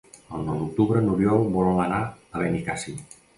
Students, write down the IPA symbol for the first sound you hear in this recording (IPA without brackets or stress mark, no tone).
ə